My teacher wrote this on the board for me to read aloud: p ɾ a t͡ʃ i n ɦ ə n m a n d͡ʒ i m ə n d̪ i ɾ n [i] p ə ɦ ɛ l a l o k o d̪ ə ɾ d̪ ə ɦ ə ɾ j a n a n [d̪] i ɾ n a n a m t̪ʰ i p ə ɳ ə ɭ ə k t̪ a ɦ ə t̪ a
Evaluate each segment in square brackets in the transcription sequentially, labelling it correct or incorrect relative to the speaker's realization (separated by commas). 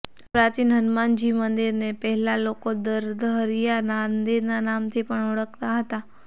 incorrect, correct